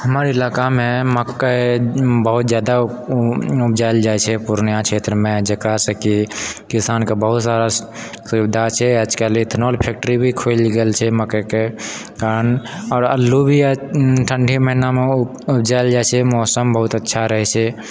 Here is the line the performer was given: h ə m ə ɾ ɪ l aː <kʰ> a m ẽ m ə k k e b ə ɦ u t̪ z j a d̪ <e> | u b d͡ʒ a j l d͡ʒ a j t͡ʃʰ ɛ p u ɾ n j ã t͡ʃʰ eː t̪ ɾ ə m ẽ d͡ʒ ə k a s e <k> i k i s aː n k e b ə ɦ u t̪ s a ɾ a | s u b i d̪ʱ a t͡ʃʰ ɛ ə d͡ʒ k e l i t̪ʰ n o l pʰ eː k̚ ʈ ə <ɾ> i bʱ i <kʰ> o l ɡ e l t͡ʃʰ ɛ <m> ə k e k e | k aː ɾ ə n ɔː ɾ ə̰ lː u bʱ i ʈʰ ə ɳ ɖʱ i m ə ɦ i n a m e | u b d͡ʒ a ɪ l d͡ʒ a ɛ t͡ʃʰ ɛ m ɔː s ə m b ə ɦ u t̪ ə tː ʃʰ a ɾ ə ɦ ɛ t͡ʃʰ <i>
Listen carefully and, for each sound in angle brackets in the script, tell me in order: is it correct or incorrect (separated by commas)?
incorrect, incorrect, correct, correct, correct, correct, incorrect